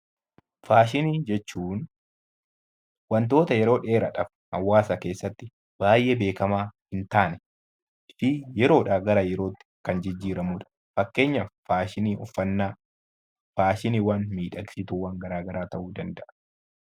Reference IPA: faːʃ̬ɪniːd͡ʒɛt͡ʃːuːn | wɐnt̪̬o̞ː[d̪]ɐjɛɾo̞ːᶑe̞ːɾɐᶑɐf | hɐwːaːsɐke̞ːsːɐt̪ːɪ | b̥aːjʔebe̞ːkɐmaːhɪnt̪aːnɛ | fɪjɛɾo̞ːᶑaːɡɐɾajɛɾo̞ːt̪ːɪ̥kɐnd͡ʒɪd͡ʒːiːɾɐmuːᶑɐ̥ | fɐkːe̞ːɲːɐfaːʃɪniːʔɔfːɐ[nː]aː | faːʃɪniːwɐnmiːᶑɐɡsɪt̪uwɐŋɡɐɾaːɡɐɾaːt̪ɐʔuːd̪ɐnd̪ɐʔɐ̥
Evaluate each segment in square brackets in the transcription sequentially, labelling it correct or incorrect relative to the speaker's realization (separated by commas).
incorrect, correct